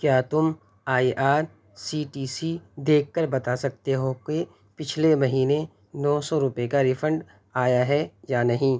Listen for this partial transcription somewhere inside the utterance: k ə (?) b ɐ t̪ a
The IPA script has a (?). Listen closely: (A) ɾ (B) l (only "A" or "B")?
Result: A